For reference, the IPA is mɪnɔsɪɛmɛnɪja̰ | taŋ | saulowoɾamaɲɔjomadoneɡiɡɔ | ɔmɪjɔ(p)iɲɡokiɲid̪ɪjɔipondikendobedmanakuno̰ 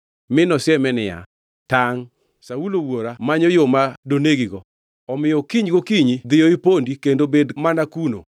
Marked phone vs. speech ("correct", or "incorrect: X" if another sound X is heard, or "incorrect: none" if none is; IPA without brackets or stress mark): incorrect: k